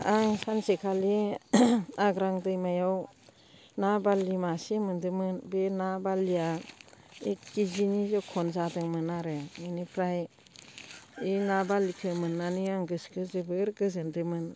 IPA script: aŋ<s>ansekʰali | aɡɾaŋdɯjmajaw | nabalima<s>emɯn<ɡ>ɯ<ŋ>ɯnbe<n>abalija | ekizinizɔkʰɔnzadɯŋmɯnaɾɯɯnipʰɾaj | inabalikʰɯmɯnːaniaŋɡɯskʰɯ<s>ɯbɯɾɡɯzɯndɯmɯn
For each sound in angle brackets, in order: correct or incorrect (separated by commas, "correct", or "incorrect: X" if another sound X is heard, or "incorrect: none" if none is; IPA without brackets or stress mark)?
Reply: correct, correct, incorrect: d, incorrect: m, correct, incorrect: z